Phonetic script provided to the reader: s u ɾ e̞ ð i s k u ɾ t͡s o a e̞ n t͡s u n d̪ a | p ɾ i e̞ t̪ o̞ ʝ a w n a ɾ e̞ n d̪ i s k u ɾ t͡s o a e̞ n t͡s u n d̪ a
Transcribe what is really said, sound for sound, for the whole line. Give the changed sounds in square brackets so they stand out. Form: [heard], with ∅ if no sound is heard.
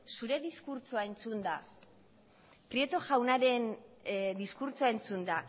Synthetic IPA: s u ɾ e̞ ð i s k u ɾ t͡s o a e̞ n t͡s u n d̪ a | p ɾ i e̞ t̪ o̞ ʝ a w n a ɾ e̞ n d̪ i s k u ɾ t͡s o a e̞ n t͡s u n d̪ a